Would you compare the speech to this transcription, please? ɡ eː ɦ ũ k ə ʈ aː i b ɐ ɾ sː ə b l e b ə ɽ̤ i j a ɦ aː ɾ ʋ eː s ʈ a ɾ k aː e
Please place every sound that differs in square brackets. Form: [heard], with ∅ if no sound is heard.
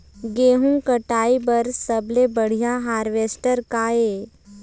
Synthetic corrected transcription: ɡ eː ɦ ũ k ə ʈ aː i b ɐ ɾ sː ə b l e b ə ɽ̤ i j a ɦ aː ɾ ʋ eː s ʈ [ə] ɾ k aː e